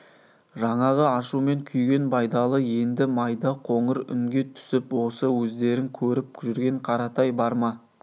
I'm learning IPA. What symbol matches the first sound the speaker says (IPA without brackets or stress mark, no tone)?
ʒ